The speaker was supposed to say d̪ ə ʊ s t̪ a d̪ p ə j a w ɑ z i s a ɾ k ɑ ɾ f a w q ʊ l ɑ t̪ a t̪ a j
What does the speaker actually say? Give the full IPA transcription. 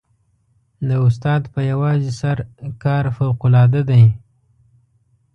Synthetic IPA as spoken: d̪ ə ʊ s t̪ ɑ d̪ p ə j a w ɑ z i s a ɾ k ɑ ɾ f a w q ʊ l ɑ d̪ a d̪ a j